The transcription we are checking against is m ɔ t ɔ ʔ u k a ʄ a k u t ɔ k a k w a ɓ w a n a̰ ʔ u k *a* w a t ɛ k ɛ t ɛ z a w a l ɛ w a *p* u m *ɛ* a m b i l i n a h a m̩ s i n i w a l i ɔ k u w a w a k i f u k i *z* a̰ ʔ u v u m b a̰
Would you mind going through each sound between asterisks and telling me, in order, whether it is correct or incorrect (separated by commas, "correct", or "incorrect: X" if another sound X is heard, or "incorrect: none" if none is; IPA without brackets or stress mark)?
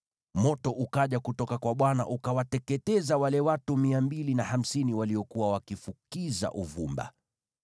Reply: correct, incorrect: t, incorrect: i, correct